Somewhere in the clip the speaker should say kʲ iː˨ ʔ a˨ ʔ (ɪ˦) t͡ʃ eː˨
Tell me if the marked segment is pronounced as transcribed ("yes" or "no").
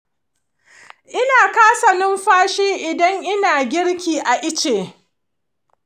yes